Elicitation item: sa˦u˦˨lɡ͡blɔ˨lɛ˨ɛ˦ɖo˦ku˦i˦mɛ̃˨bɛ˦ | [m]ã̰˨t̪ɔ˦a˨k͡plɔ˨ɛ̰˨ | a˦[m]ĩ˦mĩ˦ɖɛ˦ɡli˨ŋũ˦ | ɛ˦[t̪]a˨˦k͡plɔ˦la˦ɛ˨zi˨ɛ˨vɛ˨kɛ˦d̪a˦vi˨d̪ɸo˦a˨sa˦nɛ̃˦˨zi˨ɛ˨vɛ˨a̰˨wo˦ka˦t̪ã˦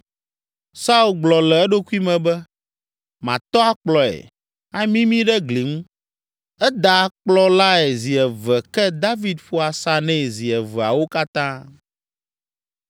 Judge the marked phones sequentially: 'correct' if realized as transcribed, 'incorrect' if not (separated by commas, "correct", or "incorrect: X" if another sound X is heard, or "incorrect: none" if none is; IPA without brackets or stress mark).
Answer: correct, correct, incorrect: d̪